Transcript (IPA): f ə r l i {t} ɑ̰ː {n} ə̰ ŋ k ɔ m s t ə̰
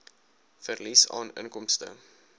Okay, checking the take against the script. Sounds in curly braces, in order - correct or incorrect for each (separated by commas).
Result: incorrect, correct